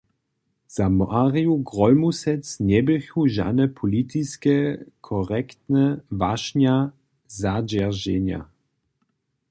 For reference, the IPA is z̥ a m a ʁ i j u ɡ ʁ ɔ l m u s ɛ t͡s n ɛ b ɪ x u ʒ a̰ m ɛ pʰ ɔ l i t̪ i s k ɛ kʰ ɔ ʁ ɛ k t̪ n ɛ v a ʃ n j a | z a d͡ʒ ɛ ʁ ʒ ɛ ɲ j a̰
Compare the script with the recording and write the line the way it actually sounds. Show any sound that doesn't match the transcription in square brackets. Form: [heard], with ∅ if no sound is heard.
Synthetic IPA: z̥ a m a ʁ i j u ɡ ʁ ɔ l m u s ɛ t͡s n ɛ b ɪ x u ʒ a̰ [n] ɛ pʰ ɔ l i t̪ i s k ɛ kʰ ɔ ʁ ɛ k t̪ n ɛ v a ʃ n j a | z a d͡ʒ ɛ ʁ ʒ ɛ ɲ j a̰